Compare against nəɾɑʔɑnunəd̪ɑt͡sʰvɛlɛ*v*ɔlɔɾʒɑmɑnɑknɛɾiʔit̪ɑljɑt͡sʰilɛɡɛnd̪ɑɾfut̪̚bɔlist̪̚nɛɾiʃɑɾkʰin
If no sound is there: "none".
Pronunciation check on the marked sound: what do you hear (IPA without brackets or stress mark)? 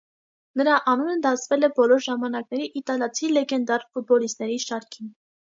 b